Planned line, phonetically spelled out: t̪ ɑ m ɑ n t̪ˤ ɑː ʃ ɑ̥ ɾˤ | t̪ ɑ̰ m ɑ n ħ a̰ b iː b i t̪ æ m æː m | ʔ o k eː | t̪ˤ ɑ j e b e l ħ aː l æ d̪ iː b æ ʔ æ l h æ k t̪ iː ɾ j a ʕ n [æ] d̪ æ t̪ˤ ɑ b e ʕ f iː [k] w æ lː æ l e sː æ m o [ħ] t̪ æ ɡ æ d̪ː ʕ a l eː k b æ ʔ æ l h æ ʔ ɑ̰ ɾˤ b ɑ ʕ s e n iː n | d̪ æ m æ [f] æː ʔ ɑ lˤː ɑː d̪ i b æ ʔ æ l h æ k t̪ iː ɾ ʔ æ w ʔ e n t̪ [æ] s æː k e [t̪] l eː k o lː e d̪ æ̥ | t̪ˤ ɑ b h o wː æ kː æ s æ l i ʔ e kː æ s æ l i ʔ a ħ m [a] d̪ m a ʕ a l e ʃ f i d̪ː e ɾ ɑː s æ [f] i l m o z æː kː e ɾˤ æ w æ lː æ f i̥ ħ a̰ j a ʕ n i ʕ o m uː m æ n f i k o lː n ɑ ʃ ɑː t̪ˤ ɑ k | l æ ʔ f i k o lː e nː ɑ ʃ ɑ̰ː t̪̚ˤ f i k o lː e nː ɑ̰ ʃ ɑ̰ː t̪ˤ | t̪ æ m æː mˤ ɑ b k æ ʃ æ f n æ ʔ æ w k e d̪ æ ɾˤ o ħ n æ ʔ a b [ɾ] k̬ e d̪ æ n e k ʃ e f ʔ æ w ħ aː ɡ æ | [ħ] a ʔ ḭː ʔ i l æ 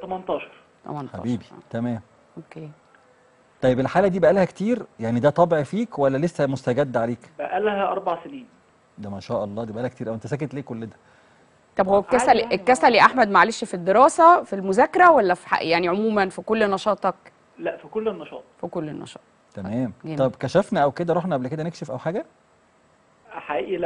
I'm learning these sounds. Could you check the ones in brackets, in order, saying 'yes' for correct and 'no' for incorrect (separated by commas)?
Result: no, yes, no, no, yes, yes, no, yes, no, yes